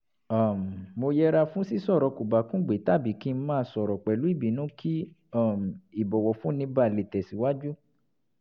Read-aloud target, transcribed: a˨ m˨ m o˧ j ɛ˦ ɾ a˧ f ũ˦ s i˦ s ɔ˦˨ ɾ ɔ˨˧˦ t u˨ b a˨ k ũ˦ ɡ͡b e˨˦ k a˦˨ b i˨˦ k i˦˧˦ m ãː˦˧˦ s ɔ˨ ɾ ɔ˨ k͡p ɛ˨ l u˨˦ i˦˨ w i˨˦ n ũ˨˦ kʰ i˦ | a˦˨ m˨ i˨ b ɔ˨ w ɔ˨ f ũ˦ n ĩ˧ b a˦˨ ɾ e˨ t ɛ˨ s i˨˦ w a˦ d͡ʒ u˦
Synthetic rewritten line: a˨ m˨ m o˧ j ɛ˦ ɾ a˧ f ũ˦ s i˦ s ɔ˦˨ ɾ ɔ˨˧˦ k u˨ b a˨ k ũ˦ ɡ͡b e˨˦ t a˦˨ b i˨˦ k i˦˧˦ m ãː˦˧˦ s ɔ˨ ɾ ɔ˨ k͡p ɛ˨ l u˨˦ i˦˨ b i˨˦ n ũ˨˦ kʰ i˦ | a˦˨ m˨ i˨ b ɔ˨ w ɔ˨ f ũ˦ n ĩ˧ b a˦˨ l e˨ t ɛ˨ s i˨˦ w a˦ d͡ʒ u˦